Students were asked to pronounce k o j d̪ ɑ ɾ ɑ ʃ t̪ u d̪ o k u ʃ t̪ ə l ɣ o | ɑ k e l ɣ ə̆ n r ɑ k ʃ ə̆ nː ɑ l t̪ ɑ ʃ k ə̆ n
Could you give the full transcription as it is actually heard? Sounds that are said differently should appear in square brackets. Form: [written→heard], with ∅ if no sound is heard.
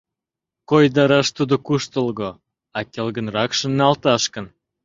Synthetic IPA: k o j d̪ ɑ ɾ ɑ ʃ t̪ u d̪ o k u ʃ t̪ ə l ɣ o | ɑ k e l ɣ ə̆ n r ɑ k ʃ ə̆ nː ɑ l t̪ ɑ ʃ k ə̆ n